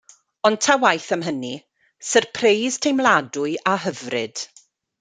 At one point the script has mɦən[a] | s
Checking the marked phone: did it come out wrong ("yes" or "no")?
yes